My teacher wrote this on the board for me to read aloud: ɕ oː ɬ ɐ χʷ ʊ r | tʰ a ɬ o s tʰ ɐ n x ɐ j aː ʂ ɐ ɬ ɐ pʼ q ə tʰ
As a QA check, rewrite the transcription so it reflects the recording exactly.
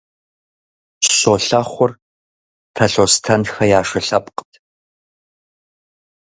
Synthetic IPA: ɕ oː ɬ ɐ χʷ ʊ r | tʰ ɐ ɬ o s tʰ ɐ n x ɐ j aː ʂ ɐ ɬ ɐ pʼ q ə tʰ